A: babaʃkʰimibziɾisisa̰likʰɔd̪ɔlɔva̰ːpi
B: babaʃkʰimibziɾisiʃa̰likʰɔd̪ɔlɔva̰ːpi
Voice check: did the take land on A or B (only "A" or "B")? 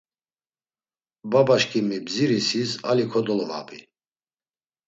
A